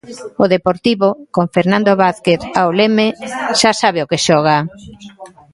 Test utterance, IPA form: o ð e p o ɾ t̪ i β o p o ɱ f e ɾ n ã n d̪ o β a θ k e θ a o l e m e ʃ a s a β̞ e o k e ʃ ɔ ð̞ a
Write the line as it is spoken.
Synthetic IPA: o ð e p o ɾ t̪ i β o k o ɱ f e ɾ n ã n d̪ o β a θ k e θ a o l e m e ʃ a s a β̞ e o k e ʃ ɔ ɣ̞ a